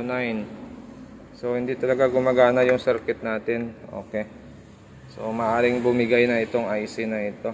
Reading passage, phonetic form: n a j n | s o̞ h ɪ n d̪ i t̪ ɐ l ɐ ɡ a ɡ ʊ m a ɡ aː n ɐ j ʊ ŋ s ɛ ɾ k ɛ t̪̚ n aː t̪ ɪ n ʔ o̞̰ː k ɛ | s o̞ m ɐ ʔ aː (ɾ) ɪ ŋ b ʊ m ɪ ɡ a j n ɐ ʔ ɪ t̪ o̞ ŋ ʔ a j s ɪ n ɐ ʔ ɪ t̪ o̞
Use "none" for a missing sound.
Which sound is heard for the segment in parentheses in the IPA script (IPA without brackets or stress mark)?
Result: ɾ